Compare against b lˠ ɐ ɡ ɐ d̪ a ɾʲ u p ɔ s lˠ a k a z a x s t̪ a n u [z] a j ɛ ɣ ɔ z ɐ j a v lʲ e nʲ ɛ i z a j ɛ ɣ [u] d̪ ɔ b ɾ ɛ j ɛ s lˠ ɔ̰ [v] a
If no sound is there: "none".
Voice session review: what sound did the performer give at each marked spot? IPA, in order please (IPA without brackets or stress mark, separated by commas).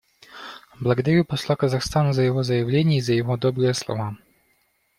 z, ɔ, v